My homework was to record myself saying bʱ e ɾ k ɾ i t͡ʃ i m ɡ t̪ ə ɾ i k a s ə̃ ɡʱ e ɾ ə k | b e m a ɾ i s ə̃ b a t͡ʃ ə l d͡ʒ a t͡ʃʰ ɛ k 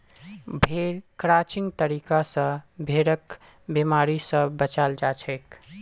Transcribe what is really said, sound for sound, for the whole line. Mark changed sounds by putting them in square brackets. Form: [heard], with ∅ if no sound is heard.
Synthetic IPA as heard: bʱ e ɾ k ɾ [a] t͡ʃ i [ŋ] ɡ t̪ ə ɾ i k a s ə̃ [bʱ] e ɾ ə k | b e m a ɾ i s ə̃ b [ə] t͡ʃ [a] l d͡ʒ a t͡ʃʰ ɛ k